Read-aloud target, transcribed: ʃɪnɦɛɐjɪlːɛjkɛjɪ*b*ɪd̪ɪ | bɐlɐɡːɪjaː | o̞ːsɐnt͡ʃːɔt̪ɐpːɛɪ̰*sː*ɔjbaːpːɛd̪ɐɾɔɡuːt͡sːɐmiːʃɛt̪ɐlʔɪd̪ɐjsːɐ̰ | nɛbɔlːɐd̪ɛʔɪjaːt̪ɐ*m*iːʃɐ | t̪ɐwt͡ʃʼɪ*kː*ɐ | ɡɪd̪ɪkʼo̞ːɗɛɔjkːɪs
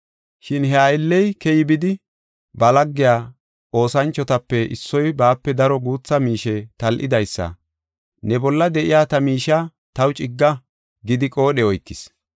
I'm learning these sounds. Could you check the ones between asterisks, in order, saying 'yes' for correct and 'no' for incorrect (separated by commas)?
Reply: yes, yes, yes, no